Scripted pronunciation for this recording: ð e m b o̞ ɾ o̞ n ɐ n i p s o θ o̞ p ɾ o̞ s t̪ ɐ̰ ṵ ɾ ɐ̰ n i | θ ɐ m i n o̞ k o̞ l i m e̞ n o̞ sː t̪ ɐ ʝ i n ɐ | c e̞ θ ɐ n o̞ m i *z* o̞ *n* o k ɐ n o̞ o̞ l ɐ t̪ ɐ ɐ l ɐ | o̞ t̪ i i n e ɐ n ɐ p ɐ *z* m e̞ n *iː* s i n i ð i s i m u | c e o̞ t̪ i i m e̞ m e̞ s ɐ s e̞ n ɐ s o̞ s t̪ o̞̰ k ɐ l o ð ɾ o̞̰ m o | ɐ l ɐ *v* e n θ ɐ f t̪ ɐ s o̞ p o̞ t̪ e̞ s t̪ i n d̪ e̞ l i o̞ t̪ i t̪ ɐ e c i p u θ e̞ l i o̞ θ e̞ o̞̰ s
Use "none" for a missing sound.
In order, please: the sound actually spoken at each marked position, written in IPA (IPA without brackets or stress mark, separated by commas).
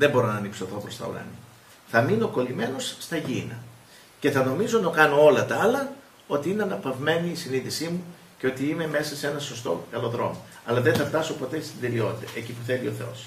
z, n, v, iː, ð